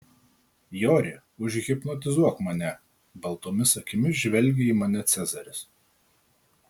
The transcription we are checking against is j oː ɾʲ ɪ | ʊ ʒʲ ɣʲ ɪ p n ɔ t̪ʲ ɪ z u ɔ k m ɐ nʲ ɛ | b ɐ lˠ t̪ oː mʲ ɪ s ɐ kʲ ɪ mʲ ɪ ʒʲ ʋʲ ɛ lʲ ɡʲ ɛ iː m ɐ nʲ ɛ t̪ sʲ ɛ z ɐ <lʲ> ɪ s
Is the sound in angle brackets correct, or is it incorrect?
incorrect